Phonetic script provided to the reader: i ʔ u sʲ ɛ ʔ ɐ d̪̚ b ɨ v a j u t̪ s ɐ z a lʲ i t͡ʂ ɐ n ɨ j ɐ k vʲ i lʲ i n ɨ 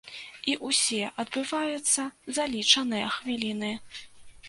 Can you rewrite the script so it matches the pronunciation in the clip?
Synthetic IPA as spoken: i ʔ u sʲ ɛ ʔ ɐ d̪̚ b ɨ v a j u t̪ sː ɐ z a lʲ i t͡ʂ ɐ n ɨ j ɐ x vʲ i lʲ i n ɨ